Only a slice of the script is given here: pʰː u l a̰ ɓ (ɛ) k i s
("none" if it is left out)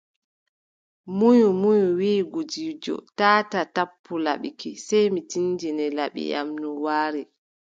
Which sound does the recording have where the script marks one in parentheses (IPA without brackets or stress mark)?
i